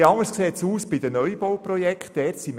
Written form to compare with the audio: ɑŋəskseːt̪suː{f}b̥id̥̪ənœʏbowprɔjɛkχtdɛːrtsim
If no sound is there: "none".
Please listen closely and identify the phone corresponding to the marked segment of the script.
s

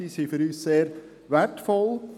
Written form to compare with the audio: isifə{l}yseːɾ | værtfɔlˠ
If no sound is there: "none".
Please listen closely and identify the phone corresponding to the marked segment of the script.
ɾ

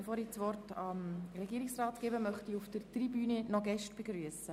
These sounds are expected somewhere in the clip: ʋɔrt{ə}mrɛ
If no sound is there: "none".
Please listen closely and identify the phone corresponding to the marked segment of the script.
ɑ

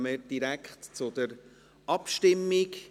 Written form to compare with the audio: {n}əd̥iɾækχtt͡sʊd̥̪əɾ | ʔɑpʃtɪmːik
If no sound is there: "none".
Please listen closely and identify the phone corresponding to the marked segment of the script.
m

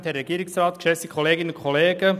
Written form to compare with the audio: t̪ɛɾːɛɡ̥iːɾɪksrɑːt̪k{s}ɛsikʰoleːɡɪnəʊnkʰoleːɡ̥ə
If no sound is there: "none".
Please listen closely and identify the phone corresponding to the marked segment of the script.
ʃ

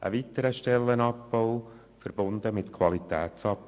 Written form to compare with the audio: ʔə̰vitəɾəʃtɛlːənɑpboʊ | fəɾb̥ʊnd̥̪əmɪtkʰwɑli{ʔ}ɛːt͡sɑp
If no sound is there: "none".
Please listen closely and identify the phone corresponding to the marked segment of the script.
t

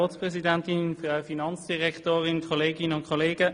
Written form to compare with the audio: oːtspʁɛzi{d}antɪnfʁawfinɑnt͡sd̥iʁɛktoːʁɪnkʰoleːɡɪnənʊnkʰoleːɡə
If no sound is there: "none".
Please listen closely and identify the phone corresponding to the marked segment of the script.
d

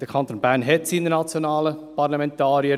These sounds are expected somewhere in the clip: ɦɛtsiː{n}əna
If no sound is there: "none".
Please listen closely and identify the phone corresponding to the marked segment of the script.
n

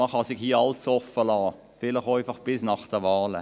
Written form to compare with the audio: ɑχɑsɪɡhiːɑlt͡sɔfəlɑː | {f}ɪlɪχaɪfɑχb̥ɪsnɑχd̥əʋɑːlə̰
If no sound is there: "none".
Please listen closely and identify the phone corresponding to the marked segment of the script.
f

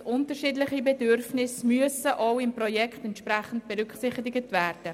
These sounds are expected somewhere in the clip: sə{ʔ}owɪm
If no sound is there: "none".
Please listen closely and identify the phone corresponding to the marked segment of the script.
ʔ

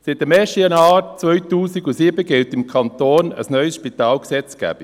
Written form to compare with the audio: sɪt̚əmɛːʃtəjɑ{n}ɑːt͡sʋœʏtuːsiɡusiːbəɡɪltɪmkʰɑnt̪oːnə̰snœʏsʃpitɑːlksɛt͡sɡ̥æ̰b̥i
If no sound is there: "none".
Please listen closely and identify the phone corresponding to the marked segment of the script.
n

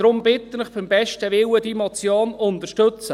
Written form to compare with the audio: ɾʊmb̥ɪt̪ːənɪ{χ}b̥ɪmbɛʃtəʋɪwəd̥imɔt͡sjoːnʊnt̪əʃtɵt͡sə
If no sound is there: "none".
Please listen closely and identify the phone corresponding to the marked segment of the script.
χ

